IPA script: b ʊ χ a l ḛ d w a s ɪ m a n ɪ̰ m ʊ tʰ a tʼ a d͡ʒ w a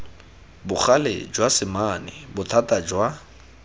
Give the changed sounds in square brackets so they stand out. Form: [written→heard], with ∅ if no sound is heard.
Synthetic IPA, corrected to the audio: b ʊ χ a l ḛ [d→d͡ʒ] w a s ɪ m a n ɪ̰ [m→b] ʊ tʰ a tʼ a d͡ʒ w a